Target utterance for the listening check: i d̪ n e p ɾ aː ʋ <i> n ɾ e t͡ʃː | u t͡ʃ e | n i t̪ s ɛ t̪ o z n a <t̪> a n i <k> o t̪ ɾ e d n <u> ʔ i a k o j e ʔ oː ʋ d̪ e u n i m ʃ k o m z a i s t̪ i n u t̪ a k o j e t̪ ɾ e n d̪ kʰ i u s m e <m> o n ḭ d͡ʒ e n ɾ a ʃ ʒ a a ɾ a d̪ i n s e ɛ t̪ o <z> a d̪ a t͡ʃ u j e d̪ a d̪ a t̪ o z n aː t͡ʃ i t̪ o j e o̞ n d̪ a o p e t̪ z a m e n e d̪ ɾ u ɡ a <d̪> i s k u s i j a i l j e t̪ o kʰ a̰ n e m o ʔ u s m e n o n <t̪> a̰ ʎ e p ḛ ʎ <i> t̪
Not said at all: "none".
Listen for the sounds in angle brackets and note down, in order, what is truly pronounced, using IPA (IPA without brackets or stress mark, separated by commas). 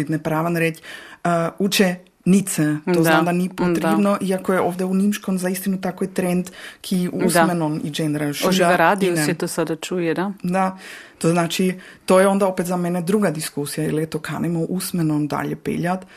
a, d̪, p, o, n, s, d̪, d̪, a